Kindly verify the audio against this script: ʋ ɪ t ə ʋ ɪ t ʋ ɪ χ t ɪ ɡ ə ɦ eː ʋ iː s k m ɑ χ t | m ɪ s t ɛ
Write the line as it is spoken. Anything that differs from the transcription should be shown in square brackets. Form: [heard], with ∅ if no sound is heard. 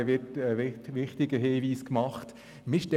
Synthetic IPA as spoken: ʋ ɪ t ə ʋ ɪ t ʋ ɪ χ t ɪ ɡ ə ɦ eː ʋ iː s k m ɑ χ t | m ɪ [ʃ] t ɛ